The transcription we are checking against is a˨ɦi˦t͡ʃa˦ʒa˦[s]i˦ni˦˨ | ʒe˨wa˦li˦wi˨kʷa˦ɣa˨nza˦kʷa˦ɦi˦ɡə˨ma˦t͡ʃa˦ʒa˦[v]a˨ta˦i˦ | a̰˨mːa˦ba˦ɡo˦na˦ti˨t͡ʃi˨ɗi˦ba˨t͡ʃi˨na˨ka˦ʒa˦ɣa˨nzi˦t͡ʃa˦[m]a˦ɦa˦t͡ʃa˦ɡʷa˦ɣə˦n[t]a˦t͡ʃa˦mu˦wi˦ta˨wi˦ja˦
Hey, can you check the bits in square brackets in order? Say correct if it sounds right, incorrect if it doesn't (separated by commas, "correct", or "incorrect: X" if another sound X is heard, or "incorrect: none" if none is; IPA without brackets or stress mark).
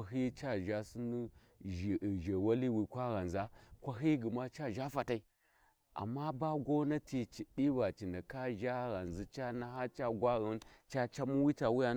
correct, incorrect: f, incorrect: n, incorrect: t͡ʃ